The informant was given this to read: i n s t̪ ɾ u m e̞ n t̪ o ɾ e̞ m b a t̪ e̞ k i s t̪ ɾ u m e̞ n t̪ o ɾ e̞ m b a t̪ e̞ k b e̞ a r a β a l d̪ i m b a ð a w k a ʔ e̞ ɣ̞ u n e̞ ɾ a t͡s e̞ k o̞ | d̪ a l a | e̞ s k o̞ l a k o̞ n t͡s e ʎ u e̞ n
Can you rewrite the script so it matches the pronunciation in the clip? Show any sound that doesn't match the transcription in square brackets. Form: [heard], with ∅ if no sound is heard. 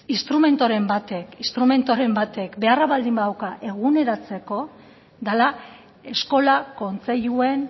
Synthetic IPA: i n s t̪ ɾ u m e̞ n t̪ o ɾ e̞ m b a t̪ e̞ k i s t̪ ɾ u m e̞ n t̪ o ɾ e̞ m b a t̪ e̞ k b e̞ a r a β a l d̪ i m b a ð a w k a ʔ e̞ ɣ̞ u n e̞ ɾ a t͡s e̞ k o̞ | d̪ a l a | e̞ s k o̞ l a k o̞ n t͡s e ʎ u e̞ n